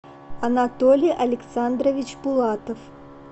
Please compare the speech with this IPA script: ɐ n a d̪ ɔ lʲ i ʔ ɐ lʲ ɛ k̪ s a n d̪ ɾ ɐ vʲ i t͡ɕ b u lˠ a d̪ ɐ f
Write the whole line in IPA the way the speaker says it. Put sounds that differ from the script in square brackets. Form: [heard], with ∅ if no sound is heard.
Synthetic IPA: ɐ n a [t̪] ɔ lʲ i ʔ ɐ lʲ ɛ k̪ s a n d̪ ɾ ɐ vʲ i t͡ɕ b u lˠ a [t̪] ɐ f